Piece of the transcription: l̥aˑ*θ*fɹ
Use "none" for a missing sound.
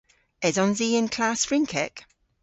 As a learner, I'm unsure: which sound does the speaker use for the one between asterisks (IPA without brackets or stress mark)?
s